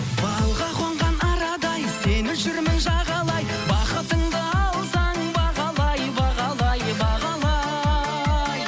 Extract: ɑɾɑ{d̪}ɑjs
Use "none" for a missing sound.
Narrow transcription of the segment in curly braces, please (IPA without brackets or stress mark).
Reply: d̪